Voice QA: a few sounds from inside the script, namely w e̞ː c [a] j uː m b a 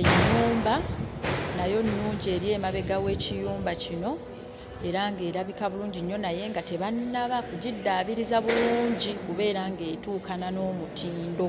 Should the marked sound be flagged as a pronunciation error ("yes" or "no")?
yes